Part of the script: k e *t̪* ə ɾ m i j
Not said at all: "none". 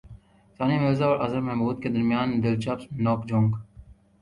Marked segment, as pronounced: d̪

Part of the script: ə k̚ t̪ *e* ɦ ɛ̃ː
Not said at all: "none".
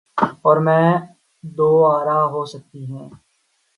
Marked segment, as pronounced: i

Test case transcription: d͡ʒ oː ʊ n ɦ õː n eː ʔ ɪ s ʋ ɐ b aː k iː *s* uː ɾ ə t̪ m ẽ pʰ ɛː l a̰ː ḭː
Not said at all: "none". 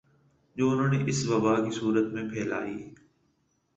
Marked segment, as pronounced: s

